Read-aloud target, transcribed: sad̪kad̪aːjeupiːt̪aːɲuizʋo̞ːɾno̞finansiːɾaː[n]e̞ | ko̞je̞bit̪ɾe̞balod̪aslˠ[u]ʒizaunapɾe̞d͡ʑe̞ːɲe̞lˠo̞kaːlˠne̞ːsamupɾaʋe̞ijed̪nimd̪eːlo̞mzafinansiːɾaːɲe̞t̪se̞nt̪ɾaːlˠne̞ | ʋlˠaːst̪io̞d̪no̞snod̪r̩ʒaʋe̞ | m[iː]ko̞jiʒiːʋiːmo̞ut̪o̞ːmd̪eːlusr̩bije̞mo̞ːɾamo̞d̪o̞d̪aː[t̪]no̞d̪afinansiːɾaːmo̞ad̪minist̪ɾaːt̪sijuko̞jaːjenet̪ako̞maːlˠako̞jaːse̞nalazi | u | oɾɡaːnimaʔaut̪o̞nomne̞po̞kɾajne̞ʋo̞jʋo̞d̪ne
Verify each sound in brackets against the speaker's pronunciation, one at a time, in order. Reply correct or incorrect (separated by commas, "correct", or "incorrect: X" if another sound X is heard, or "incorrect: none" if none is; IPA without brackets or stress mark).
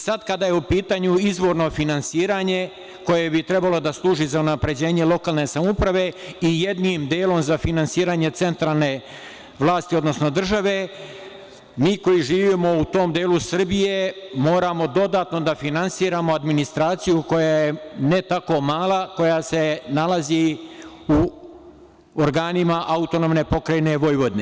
incorrect: ɲ, incorrect: uː, correct, correct